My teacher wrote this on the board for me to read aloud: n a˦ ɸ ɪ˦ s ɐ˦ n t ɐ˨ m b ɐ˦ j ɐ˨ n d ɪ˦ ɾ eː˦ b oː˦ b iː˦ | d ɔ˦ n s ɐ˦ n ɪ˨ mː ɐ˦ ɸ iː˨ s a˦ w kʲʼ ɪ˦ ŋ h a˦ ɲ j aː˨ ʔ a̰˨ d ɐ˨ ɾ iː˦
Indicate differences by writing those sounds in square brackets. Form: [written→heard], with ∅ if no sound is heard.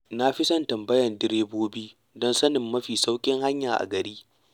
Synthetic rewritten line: n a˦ ɸ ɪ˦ s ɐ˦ n t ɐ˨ m b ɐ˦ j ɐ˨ n d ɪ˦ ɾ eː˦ b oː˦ b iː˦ | d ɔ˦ n s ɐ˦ n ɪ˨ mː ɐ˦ ɸ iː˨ s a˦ w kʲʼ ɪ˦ ŋ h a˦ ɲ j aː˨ ʔ a̰˨ [d→ɡ] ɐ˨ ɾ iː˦